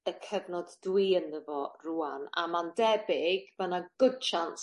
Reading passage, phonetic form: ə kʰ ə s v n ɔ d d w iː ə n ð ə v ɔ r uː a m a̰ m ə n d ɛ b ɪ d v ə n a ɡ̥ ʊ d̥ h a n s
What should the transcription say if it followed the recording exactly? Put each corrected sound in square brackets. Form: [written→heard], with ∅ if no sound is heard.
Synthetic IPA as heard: ə kʰ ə [s→∅] v n ɔ d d w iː ə n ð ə v ɔ r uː a [m→n] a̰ m [ə→a] n d ɛ b ɪ [d→ɡ] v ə n a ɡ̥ ʊ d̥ [h→ʃ] a n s